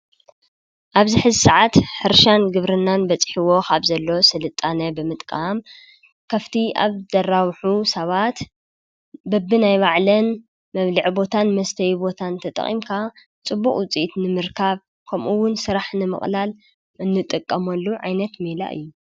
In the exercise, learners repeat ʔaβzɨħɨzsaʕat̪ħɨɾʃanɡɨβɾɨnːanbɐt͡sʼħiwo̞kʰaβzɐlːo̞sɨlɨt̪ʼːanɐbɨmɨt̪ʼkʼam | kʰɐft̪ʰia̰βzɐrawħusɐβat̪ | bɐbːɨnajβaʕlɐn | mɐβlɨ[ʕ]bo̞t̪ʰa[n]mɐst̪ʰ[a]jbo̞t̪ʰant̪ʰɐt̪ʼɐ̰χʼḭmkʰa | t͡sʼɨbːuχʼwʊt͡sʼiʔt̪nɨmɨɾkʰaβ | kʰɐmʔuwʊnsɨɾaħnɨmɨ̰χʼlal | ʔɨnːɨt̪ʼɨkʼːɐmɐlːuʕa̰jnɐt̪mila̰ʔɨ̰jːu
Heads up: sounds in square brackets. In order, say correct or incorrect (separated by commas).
correct, correct, incorrect